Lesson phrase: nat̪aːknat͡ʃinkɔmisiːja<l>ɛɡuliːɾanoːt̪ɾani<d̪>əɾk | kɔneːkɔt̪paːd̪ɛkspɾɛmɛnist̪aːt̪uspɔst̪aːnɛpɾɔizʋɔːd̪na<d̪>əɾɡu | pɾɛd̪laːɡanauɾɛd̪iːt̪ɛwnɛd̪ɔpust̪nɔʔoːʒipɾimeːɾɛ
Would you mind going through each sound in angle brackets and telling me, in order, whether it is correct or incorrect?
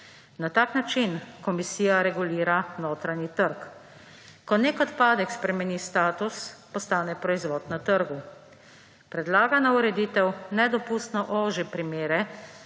incorrect: ɾ, incorrect: t̪, incorrect: t̪

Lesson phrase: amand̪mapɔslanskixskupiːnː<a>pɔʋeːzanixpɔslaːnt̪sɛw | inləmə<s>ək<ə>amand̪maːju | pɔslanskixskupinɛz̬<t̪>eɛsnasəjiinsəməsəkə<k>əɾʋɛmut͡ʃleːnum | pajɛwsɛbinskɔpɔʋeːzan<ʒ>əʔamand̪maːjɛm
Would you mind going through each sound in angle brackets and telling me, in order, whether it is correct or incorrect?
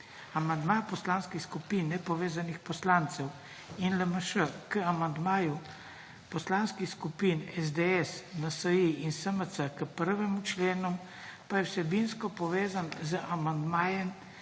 incorrect: ɛ, incorrect: ʃ, correct, incorrect: d̪, incorrect: p, incorrect: z

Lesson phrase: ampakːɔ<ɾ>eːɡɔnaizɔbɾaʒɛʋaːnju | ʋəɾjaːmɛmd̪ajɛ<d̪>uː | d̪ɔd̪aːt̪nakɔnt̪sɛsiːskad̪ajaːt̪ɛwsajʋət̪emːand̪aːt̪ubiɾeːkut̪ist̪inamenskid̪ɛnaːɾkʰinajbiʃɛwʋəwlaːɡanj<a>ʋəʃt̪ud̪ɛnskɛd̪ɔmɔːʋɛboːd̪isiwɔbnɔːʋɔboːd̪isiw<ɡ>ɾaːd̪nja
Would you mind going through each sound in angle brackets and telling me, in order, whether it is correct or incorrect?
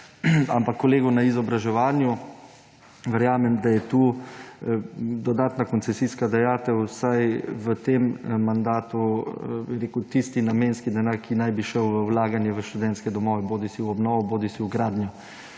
incorrect: l, incorrect: t̪, incorrect: ɛ, correct

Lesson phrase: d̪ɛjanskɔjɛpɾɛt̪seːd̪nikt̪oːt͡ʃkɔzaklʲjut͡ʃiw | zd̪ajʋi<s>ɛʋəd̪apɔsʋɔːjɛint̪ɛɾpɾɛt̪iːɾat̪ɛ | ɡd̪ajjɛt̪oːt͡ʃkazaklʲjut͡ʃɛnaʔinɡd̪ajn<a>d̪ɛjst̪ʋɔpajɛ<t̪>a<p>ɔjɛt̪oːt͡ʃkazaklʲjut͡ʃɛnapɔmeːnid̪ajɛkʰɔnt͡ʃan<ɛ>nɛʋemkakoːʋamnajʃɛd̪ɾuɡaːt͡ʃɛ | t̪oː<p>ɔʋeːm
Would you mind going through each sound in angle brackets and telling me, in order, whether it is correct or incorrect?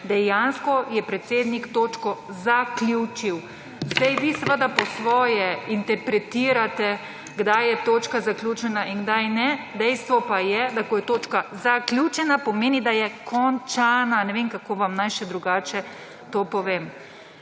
correct, incorrect: ɛ, incorrect: d̪, incorrect: k, incorrect: a, correct

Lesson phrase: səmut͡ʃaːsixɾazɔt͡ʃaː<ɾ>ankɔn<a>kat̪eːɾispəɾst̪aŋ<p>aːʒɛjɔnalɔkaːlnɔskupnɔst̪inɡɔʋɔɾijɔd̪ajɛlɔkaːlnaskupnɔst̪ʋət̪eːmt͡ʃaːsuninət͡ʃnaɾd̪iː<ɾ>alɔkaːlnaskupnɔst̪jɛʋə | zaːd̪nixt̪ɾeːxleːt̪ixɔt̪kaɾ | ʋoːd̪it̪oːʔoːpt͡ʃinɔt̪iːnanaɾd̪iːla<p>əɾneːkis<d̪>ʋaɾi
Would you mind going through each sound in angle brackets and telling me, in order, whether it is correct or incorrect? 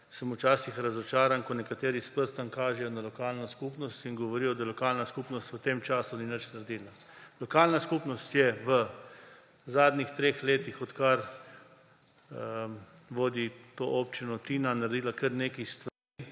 correct, incorrect: ɛ, incorrect: k, incorrect: l, incorrect: k, incorrect: t̪

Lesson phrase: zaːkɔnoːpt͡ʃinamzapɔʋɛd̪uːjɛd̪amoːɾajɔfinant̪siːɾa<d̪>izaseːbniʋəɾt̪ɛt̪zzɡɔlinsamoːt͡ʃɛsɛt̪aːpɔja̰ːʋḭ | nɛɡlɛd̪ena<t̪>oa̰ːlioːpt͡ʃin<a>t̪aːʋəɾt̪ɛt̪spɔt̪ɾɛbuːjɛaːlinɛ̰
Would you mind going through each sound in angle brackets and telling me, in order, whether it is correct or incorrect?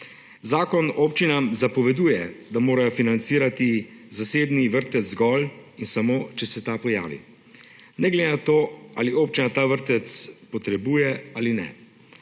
incorrect: t̪, correct, correct

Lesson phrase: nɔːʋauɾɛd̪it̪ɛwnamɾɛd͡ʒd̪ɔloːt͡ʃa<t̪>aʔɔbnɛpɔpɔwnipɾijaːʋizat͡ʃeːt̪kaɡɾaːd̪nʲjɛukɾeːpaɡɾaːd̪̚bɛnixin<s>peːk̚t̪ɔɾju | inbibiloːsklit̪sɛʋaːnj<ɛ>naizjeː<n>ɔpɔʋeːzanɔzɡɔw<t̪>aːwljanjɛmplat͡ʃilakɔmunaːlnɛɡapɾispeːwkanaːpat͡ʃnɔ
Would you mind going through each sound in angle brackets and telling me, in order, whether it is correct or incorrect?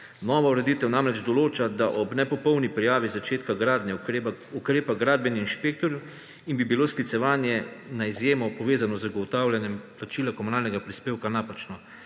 incorrect: d̪, incorrect: ʃ, correct, incorrect: m, correct

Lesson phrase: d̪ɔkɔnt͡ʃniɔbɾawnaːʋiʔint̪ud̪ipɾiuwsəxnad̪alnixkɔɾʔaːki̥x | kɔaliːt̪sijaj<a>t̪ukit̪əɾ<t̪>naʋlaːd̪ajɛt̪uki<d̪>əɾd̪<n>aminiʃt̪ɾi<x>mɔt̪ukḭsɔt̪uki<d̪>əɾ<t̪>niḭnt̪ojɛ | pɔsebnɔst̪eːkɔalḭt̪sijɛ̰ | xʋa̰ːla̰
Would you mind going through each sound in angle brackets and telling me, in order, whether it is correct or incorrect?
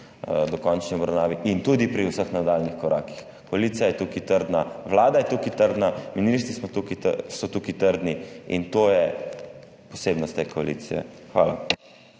incorrect: ɛ, incorrect: d̪, incorrect: t̪, correct, incorrect: s, incorrect: t̪, incorrect: d̪

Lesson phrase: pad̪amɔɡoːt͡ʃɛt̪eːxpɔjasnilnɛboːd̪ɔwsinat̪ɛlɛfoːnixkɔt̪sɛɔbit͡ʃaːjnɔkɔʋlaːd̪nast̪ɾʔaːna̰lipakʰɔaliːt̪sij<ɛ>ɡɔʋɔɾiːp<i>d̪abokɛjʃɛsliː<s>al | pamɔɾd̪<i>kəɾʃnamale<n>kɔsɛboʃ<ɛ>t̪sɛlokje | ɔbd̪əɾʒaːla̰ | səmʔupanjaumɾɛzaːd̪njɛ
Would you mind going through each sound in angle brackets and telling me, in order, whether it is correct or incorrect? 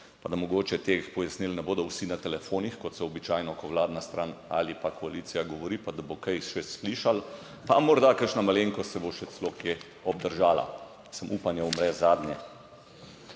incorrect: a, incorrect: a, incorrect: ʃ, incorrect: a, incorrect: ŋ, correct

